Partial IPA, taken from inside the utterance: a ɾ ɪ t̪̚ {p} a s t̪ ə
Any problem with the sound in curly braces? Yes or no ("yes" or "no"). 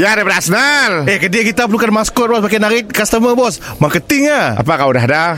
yes